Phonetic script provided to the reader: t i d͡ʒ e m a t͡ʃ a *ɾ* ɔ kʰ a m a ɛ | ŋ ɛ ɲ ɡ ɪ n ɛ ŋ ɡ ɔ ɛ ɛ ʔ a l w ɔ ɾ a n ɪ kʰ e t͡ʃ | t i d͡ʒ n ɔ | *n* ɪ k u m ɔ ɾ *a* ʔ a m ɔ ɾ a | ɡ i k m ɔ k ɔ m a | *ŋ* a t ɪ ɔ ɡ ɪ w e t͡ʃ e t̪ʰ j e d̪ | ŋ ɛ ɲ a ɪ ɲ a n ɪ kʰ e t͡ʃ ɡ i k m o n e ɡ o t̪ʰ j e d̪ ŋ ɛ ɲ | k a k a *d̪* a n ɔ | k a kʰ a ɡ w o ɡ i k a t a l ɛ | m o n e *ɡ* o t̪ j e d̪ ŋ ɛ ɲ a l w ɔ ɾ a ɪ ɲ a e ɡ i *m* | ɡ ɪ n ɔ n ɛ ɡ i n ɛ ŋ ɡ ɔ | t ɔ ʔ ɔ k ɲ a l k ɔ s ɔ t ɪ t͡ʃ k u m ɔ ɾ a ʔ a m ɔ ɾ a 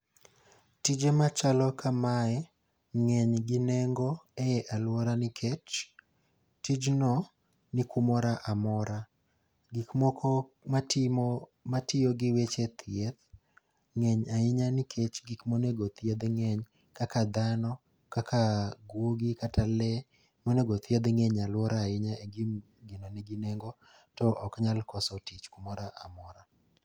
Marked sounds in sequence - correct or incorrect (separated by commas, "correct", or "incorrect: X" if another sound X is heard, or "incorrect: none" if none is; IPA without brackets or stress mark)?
incorrect: l, correct, correct, incorrect: m, correct, correct, correct